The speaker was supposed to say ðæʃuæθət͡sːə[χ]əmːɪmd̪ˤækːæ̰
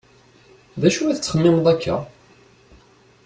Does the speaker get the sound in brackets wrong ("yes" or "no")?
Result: no